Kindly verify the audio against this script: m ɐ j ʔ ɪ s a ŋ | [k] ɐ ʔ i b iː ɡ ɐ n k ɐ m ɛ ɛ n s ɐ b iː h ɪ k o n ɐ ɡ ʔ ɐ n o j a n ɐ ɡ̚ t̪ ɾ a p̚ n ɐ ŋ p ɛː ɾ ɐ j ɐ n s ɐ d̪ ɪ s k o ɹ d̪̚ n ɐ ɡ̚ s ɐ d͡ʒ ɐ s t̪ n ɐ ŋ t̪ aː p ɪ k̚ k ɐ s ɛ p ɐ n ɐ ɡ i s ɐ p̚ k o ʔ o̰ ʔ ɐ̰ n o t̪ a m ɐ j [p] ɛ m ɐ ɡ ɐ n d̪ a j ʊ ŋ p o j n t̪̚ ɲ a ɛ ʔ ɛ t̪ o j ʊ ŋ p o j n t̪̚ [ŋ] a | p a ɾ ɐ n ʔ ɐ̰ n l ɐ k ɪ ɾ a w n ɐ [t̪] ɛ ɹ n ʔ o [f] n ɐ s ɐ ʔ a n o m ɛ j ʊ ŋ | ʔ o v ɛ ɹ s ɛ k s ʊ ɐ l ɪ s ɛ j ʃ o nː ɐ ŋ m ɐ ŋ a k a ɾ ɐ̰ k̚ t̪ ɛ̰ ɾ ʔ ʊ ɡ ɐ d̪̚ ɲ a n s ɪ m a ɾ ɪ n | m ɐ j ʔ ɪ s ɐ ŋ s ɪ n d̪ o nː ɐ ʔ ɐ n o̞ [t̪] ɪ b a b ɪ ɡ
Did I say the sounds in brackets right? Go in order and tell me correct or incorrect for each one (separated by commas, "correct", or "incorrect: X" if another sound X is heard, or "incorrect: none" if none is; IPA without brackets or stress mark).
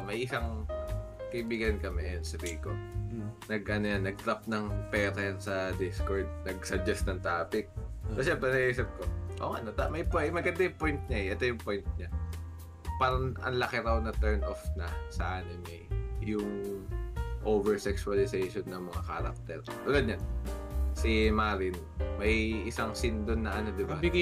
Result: correct, correct, incorrect: ɲ, correct, correct, incorrect: d̪